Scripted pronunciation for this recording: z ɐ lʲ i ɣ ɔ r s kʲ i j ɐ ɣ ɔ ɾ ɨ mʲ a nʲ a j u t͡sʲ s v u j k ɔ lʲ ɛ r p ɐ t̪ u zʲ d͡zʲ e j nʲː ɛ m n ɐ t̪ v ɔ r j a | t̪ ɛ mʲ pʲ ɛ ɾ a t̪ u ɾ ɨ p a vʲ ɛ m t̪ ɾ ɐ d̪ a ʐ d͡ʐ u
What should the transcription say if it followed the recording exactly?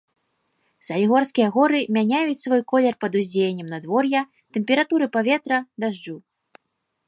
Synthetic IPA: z ɐ lʲ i ɣ ɔ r s kʲ i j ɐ ɣ ɔ ɾ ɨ mʲ a nʲ a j u t͡sʲ s v ɔ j k ɔ lʲ ɛ r p ɐ d̪ u zʲ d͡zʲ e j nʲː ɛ m n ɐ d̪ v ɔ r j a | t̪ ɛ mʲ pʲ ɛ ɾ a t̪ u ɾ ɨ p a vʲ ɛ t̪ ɾ ɐ d̪ a ʐ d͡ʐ u